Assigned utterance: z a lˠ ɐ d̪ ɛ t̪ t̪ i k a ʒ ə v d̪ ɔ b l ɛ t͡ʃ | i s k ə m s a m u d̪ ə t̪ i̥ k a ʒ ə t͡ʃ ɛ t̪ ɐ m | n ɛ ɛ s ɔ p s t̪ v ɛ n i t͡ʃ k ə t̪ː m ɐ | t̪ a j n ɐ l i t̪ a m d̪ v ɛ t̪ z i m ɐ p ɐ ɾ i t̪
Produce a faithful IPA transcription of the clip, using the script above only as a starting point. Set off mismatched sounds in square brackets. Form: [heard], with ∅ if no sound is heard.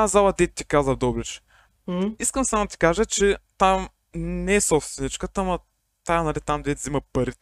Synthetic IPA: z a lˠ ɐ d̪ ɛ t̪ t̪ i k a [z] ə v d̪ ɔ b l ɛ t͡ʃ | i s k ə m s a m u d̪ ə t̪ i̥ k a ʒ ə t͡ʃ ɛ t̪ [a] m | n ɛ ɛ s ɔ p s t̪ v ɛ n i t͡ʃ k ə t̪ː m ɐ | t̪ a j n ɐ l i t̪ a m d̪ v ɛ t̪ z i m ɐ p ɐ ɾ i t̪